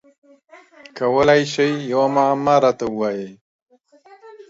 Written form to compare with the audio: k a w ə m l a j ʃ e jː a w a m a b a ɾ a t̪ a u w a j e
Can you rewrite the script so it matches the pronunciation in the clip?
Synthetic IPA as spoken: k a w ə l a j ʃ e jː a w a m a m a ɾ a t̪ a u w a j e